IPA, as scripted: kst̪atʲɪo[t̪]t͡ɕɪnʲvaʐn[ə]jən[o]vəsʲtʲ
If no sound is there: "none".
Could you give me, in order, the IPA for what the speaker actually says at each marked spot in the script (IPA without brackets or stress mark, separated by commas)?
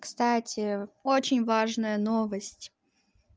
none, ə, o